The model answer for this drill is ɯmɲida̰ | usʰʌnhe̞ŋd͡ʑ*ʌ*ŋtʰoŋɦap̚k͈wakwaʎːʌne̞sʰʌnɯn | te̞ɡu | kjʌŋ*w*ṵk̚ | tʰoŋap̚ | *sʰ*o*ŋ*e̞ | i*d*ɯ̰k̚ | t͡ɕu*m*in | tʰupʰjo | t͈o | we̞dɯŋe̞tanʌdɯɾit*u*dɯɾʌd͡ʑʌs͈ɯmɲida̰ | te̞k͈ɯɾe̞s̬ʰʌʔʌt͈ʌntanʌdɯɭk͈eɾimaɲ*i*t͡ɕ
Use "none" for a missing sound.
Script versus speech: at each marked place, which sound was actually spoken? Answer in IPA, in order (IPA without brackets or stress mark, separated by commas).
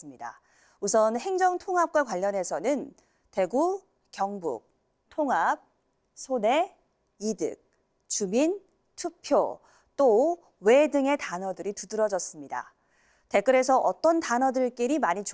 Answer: ʌ, b, sʰ, n, d, m, u, i